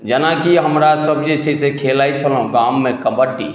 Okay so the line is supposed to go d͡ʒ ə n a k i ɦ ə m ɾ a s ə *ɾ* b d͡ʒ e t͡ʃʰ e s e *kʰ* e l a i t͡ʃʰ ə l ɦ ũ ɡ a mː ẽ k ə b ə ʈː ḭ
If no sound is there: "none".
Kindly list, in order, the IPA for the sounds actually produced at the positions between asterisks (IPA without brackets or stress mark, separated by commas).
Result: none, kʰ